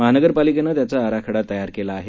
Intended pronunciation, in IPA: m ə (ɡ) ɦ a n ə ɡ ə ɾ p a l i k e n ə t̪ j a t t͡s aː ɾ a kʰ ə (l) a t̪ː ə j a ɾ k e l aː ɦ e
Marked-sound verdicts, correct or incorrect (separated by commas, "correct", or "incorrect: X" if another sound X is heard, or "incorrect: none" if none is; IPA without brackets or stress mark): incorrect: none, incorrect: ɽ